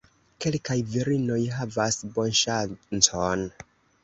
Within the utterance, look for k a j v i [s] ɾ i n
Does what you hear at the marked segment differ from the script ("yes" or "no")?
yes